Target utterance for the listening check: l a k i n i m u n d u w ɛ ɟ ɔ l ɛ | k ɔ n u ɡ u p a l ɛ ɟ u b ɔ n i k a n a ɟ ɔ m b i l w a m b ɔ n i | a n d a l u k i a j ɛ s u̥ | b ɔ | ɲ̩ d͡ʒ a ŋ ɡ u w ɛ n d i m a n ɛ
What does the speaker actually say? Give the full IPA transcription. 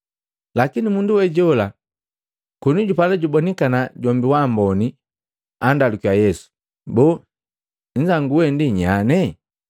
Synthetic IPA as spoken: l a k i n i m u n d u w ɛ ɟ ɔ l a | k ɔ n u ɟ u p a l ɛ ɟ u b ɔ n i k a n a ɟ ɔ m b i w a m b ɔ n i | a n d a l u k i a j ɛ s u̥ | b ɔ | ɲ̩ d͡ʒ a ŋ ɡ u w ɛ n d i ɲ a n ɛ